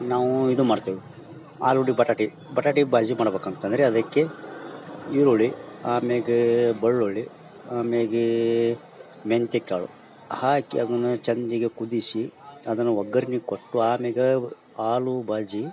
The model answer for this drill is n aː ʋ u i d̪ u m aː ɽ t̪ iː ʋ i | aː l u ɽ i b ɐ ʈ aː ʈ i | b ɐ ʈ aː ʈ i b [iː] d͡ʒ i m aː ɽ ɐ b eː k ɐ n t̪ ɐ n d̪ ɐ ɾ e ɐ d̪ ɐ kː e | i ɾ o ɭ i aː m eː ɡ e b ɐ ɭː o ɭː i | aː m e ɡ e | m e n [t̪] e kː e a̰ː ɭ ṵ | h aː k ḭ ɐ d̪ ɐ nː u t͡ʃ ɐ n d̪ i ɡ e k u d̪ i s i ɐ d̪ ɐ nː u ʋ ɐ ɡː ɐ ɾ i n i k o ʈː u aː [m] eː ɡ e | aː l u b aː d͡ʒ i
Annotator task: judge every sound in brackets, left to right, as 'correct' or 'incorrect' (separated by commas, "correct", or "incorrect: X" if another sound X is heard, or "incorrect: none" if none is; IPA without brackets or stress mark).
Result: incorrect: aː, correct, correct